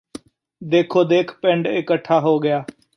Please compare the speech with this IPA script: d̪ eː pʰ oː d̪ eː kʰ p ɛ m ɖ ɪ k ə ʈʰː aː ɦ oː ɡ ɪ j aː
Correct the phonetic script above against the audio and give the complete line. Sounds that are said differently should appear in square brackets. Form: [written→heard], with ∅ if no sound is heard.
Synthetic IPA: d̪ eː [pʰ→kʰ] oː d̪ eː kʰ p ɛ [m→ɳ] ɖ ɪ k ə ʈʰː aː ɦ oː ɡ ɪ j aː